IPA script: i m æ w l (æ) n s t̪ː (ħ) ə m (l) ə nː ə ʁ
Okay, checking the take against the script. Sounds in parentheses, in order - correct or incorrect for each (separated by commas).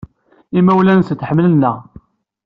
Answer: correct, correct, correct